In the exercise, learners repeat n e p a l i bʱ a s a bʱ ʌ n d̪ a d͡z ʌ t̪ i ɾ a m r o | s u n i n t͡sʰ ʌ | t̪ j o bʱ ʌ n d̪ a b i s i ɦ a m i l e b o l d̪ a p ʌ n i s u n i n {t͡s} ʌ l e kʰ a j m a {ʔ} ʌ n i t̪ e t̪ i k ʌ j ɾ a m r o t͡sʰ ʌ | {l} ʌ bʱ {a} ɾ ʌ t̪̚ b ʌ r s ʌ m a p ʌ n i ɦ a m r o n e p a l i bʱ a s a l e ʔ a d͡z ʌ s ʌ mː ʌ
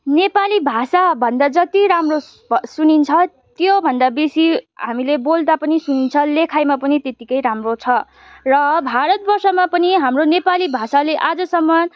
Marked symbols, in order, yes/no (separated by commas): no, no, no, yes